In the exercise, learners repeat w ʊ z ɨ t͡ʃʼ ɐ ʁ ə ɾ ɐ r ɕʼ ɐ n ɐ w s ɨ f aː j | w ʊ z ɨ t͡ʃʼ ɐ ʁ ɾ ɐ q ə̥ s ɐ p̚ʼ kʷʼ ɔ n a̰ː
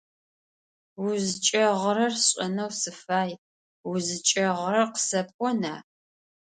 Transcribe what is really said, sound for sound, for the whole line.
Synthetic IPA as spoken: w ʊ z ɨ t͡ʃʼ ɐ ʁ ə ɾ ɐ r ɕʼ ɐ n ɐ w s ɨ f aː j | w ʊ z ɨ t͡ʃʼ ɐ ʁ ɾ ɐ q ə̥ s ɐ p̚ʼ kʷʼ ɔ n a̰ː